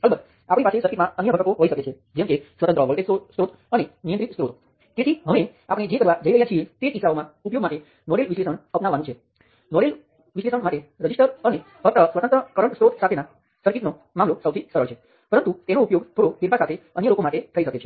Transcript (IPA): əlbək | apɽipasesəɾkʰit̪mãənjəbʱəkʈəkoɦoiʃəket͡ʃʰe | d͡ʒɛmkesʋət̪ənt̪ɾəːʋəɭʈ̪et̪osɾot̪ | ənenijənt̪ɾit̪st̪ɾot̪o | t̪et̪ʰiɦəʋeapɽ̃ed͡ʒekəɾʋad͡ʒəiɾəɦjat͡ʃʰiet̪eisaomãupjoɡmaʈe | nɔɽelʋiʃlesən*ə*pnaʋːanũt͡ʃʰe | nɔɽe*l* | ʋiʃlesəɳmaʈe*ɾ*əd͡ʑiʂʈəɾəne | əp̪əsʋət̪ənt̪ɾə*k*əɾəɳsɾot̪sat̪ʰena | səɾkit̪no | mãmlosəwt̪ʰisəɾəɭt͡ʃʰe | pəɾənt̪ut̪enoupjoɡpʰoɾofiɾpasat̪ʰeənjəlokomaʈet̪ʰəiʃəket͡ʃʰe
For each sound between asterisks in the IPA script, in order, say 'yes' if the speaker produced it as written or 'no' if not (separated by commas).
yes, yes, yes, yes